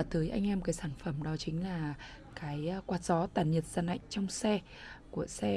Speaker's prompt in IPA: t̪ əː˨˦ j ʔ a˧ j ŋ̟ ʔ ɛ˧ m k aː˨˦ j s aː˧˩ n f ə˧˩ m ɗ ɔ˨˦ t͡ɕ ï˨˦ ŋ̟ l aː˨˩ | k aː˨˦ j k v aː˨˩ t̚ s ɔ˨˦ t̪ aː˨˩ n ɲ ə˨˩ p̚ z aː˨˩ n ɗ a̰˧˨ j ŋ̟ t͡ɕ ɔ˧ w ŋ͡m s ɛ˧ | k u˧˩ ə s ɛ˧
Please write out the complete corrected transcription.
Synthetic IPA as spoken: t̪ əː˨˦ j ʔ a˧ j ŋ̟ ʔ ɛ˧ m k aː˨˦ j s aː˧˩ n f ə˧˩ m ɗ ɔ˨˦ t͡ɕ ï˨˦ ŋ̟ l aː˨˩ | k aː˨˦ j k w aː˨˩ t̚ z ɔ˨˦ t̪ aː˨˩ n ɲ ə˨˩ t̚ z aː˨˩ n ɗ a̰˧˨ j ŋ̟ t͡ɕ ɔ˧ w ŋ͡m s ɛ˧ | k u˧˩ ə s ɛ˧

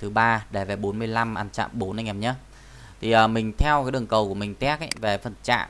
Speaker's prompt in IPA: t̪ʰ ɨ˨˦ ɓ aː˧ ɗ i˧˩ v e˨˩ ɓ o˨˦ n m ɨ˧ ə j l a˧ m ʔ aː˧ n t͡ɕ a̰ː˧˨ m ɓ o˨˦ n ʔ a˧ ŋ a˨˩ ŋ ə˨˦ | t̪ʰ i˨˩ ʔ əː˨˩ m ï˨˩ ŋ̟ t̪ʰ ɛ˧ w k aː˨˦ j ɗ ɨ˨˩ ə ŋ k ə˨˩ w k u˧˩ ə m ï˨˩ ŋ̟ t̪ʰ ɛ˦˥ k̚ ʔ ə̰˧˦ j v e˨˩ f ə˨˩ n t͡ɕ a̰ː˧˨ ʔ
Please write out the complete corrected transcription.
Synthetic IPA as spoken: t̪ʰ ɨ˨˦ ɓ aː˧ ɗ e˧˩ v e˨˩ ɓ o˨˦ n m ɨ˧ ə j l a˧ m ʔ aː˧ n t͡ɕ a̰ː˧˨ m ɓ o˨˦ n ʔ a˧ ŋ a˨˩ ɲ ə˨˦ | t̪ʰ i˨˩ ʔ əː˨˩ m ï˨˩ ŋ̟ t̪ʰ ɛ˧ w k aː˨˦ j ɗ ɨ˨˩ ə ŋ k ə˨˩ w k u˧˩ ə m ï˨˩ ŋ̟ t̪ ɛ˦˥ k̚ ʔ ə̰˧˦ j v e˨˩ f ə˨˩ n t͡ɕ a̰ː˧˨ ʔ

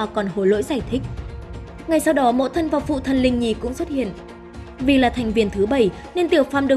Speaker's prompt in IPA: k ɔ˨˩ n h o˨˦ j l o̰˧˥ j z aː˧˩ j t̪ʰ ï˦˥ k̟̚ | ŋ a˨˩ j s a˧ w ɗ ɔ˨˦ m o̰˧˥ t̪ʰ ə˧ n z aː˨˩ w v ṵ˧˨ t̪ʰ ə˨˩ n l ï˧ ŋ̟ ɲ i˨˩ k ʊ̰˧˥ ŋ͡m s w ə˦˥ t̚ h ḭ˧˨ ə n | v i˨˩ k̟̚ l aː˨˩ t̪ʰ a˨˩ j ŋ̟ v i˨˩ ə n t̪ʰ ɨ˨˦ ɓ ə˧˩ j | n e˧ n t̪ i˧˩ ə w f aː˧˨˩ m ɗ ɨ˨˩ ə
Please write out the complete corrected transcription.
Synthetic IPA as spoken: k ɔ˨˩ n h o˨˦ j l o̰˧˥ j z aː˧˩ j t̪ʰ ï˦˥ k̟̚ | ŋ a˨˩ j s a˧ w ɗ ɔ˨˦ m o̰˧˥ t̪ʰ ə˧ n v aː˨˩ w f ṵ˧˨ t̪ʰ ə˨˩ n l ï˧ ŋ̟ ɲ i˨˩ k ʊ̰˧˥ ŋ͡m s w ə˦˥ t̚ h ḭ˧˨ ə n | v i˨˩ l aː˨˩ t̪ʰ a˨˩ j ŋ̟ v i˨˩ ə n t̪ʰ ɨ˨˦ ɓ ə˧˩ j | n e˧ n t̪ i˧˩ ə w f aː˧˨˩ m ɗ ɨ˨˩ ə

